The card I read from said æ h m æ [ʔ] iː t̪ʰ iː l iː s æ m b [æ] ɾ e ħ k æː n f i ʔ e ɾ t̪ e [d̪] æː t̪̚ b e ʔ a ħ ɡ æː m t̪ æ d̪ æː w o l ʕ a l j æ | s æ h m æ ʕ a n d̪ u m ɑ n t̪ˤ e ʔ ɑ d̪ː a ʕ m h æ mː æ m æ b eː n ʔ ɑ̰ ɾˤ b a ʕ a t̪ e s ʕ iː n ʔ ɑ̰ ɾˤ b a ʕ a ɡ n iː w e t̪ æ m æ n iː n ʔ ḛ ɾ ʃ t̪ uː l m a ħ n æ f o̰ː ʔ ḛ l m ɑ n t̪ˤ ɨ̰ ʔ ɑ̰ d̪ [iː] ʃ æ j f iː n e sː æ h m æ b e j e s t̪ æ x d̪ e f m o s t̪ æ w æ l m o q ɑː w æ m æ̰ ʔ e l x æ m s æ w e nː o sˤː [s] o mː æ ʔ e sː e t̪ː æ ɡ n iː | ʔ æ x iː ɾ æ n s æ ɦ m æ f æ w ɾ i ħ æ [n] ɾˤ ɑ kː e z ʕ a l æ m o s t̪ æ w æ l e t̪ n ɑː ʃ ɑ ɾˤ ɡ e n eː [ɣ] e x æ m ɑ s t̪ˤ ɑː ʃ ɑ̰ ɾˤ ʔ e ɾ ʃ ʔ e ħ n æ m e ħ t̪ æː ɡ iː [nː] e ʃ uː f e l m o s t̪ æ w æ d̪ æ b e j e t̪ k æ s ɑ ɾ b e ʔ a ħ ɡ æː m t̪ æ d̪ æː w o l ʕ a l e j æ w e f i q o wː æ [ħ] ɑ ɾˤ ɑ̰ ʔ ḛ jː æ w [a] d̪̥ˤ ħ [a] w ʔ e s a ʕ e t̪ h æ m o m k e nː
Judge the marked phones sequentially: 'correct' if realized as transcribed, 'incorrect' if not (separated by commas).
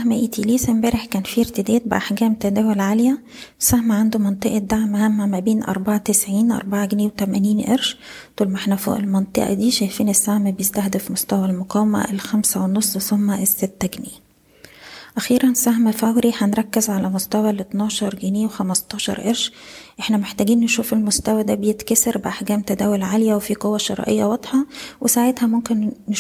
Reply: correct, incorrect, correct, correct, correct, correct, incorrect, correct, incorrect, incorrect, incorrect